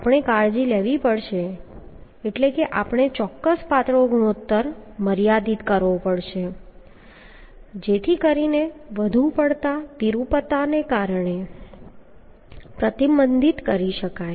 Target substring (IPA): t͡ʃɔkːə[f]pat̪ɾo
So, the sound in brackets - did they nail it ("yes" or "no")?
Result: no